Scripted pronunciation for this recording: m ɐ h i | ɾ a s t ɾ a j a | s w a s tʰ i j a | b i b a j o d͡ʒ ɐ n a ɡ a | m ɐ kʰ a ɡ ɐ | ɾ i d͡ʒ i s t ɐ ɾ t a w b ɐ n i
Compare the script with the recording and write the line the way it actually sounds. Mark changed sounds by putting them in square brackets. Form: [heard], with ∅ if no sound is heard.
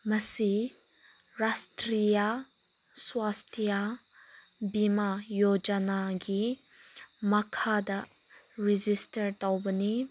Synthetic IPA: m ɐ [s] i | ɾ a s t ɾ [i] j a | s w a s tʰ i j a | b i [m] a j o d͡ʒ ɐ n a ɡ [i] | m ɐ kʰ a [d] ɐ | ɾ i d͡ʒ i s t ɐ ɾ t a w b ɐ n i

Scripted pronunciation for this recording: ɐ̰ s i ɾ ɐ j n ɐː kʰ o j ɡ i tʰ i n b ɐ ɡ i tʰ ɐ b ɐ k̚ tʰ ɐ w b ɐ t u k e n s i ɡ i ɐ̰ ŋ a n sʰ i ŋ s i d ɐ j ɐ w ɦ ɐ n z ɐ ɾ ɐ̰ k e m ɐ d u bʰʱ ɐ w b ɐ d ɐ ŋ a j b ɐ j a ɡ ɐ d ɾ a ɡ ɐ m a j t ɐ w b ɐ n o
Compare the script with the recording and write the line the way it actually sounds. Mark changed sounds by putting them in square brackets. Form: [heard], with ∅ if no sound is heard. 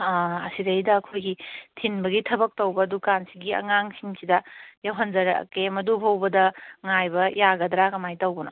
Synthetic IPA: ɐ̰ s i ɾ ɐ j [d] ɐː kʰ o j ɡ i tʰ i n b ɐ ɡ i tʰ ɐ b ɐ k̚ [t] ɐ w b ɐ [d] u k [a] n s i ɡ i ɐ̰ ŋ a [ŋ] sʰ i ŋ s i d ɐ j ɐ w ɦ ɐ n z ɐ ɾ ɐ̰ k e m ɐ d u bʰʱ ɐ w b ɐ d ɐ ŋ a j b ɐ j a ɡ ɐ d ɾ a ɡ ɐ m a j t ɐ w b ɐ n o

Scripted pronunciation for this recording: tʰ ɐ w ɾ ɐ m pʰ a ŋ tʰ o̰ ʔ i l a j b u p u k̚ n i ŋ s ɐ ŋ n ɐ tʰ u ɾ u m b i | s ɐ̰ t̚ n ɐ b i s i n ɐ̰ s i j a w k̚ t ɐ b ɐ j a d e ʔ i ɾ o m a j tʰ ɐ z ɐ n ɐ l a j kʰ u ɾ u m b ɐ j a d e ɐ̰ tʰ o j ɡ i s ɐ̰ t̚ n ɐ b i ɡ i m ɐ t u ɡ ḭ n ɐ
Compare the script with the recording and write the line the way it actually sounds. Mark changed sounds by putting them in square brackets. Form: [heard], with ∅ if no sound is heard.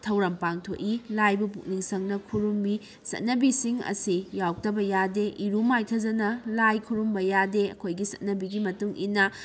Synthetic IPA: tʰ ɐ w ɾ ɐ m [p] a ŋ tʰ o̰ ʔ i l a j b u p u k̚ n i ŋ s ɐ ŋ n ɐ [kʰ] u ɾ u m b i | s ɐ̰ t̚ n ɐ b i s i [ŋ] ɐ̰ s i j a w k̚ t ɐ b ɐ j a d e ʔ i ɾ [u] m a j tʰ ɐ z ɐ n ɐ l a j kʰ u ɾ u m b ɐ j a d e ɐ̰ [kʰ] o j ɡ i s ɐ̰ t̚ n ɐ b i ɡ i m ɐ t u [ŋ] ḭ n ɐ

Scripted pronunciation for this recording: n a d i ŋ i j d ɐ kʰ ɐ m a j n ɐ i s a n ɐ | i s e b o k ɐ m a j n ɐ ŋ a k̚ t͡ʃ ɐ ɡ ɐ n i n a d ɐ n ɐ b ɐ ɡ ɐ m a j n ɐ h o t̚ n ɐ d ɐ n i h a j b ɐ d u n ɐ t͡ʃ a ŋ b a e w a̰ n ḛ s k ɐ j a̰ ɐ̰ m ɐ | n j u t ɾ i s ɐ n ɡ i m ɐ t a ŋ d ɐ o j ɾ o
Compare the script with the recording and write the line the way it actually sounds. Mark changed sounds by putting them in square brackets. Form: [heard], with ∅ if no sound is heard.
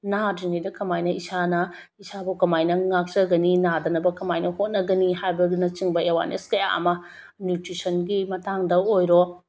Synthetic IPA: n a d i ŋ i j d ɐ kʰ ɐ m a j n ɐ i s a n ɐ | i s [a] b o k ɐ m a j n ɐ ŋ a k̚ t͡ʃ ɐ ɡ ɐ n i n a d ɐ n ɐ b ɐ [k] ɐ m a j n ɐ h o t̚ n ɐ [ɡ] ɐ n i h a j b ɐ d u n ɐ t͡ʃ [i] ŋ b [ɐ] e w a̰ n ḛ s k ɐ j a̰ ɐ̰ m ɐ | n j u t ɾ i s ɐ n ɡ i m ɐ t a ŋ d ɐ o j ɾ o

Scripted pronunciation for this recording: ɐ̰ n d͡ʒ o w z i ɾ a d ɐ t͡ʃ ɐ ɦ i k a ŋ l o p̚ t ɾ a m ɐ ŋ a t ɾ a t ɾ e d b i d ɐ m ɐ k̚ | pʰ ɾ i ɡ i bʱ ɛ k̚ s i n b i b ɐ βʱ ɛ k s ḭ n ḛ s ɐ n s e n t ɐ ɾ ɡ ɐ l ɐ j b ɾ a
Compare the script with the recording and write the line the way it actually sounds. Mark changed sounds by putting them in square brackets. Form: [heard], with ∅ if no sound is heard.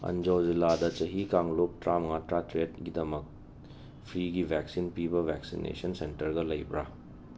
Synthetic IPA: ɐ̰ n d͡ʒ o w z i [l] a d ɐ t͡ʃ ɐ ɦ i k a ŋ l o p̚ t ɾ a m ɐ ŋ a t ɾ a t ɾ e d [ɡ] i d ɐ m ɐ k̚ | pʰ ɾ i ɡ i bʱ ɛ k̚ s i n [p] i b ɐ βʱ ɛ k s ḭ n ḛ s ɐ n s e n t ɐ ɾ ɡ ɐ l ɐ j b ɾ a

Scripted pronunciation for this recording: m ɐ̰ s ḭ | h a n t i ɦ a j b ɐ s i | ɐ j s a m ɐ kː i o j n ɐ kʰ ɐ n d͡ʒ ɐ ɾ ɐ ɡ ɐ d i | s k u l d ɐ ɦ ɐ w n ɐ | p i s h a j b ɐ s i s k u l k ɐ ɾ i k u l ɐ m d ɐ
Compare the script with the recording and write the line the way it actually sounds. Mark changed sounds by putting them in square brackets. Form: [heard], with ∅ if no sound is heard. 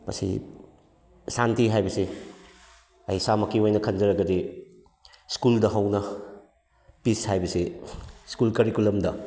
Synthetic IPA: m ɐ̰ s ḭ | [s] a n t i ɦ a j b ɐ s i | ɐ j s a m ɐ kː i o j n ɐ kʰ ɐ n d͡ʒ ɐ ɾ ɐ ɡ ɐ d i | s k u l d ɐ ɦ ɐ w n ɐ | p i s h a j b ɐ s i s k u l k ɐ ɾ i k u l ɐ m d ɐ

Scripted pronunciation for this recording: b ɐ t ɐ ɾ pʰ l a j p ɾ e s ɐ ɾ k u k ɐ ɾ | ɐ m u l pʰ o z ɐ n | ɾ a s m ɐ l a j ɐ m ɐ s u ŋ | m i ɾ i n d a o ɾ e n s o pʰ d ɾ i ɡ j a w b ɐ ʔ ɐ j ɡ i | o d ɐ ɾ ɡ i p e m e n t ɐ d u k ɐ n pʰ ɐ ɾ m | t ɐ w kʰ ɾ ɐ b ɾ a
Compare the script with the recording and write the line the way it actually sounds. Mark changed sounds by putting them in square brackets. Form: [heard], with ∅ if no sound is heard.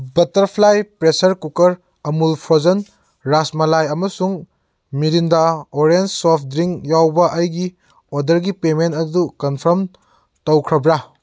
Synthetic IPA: b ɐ t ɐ ɾ pʰ l a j p ɾ e s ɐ ɾ k u k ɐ ɾ | ɐ m u l pʰ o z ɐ n | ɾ a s m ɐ l a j ɐ m ɐ s u ŋ | m i ɾ i n d a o ɾ e n s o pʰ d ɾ i [ŋ] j a w b ɐ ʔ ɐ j ɡ i | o d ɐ ɾ ɡ i p e m e n t ɐ d u k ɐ n pʰ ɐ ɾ m | t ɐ w kʰ ɾ ɐ b ɾ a

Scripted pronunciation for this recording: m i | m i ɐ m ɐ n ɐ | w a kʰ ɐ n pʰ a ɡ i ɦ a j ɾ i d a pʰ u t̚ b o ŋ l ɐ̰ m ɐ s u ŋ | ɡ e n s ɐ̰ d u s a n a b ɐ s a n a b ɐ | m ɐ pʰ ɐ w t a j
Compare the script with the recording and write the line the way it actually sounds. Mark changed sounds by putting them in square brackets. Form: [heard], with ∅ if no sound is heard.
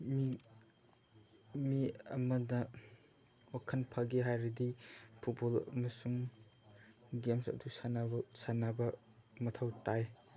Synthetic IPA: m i | m i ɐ m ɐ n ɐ | w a kʰ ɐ n pʰ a ɡ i ɦ a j ɾ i d [i] pʰ u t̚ b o [∅] l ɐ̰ m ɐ s u ŋ | ɡ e [m] s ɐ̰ d u s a n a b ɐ s a n a b ɐ | m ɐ [tʰ] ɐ w t a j

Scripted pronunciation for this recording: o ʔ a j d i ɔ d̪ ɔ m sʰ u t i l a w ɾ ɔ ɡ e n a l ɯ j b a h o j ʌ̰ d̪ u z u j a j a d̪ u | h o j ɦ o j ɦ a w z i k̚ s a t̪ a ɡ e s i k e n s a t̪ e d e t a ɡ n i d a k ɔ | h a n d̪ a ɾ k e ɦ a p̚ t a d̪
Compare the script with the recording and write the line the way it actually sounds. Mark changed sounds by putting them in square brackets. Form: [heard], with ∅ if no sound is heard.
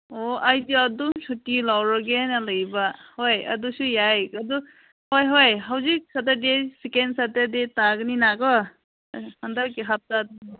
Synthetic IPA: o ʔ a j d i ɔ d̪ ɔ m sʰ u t i l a w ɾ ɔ ɡ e n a l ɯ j b a h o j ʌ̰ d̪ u [s] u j a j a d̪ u | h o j ɦ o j ɦ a w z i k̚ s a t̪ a [d] e s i k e n s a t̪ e d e t a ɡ n i [n] a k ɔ | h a n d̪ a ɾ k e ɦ a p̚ t a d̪

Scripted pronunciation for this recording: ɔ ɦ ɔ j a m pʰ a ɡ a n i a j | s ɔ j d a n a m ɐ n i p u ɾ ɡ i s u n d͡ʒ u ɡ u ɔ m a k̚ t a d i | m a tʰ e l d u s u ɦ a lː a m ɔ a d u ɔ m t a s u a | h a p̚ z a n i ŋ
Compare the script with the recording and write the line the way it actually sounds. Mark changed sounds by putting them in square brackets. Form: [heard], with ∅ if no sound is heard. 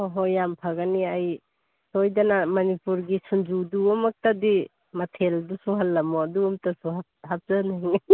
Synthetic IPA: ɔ ɦ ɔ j a m pʰ a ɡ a n i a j | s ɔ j d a n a m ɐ n i p u ɾ ɡ i s u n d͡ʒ u [d] u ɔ m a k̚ t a d i | m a tʰ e l d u s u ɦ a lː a m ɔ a d u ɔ m t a s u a | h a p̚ z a n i ŋ

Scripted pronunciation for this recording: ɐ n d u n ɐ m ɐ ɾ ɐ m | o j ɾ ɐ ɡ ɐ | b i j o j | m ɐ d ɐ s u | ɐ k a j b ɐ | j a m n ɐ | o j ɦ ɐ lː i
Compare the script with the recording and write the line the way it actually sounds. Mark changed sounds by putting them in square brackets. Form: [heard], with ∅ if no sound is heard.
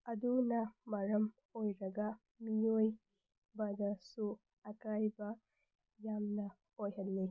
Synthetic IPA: ɐ [∅] d u n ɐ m ɐ ɾ ɐ m | o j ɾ ɐ ɡ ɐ | [m] i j o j | [b] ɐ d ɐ s u | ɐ k a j b ɐ | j a m n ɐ | o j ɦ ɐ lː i

